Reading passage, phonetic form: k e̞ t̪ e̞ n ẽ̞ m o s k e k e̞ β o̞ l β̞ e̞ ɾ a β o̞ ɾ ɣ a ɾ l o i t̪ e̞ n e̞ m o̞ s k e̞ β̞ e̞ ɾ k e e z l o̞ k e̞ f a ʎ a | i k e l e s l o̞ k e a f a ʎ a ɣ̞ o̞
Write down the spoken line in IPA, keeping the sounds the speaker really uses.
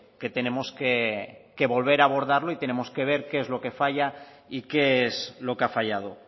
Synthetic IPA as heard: k e̞ t̪ e̞ n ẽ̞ m o s k e k e̞ β o̞ l β̞ e̞ ɾ a β o̞ ɾ ð a ɾ l o i t̪ e̞ n e̞ m o̞ s k e̞ β̞ e̞ ɾ k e e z l o̞ k e̞ f a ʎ a | i k e e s l o̞ k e a f a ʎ a ð̞ o̞

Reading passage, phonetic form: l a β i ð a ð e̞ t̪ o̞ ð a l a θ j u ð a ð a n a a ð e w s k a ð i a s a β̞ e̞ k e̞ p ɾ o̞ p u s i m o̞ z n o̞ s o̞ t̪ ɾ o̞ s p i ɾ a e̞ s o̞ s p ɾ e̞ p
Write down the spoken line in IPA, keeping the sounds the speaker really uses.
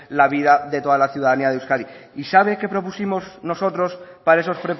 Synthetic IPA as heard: l a β i ð a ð e̞ t̪ o̞ ð a l a θ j u ð a ð a n i a ð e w s k a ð i i s a β̞ e̞ k e̞ p ɾ o̞ p u s i m o̞ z n o̞ s o̞ t̪ ɾ o̞ s p a ɾ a e̞ s o̞ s p ɾ e̞ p

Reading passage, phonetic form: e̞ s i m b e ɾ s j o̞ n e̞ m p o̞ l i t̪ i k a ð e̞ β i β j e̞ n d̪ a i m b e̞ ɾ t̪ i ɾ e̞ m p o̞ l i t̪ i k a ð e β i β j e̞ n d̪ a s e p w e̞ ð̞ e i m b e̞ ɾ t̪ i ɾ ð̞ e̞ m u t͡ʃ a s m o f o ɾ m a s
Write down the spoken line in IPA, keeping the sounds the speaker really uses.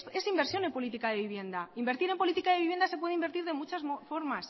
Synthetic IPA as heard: e̞ s i m b e ɾ s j o̞ n e̞ m p o̞ l i t̪ i k a ð e̞ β i β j e̞ n d̪ a i m b e̞ ɾ t̪ i ɾ e̞ m p o̞ l i t̪ i k a ð e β i β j e̞ n d̪ a s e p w e̞ ð̞ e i m b e̞ ɾ t̪ i ɾ ð̞ e̞ m u t͡ʃ a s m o f o ɾ m a s

